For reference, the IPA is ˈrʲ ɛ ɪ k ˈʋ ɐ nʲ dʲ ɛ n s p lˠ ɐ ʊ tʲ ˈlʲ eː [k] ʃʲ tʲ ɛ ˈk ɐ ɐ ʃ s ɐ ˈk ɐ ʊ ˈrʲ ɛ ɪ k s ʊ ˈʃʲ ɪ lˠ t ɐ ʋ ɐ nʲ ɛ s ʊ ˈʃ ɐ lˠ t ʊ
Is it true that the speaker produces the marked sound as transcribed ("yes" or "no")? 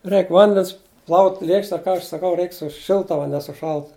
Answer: yes